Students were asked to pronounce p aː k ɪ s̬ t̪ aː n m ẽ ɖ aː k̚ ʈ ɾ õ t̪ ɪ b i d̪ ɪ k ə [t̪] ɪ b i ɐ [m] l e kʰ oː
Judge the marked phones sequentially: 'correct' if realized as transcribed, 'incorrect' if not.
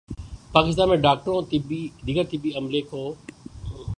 correct, correct

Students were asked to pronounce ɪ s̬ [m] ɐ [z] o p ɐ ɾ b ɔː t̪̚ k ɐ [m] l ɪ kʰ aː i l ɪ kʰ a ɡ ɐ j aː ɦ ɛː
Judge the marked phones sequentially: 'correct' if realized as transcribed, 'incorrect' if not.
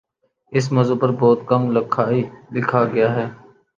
correct, correct, correct

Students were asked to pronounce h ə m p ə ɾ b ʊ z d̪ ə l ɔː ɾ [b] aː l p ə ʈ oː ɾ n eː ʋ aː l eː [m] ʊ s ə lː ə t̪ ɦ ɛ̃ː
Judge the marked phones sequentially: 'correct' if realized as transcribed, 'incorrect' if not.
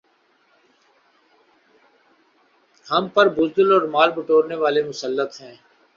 incorrect: m, correct

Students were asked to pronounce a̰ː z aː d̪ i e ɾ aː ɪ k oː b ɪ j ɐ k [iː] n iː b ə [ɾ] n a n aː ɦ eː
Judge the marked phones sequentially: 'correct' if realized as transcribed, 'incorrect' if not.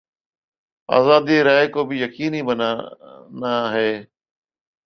correct, incorrect: none

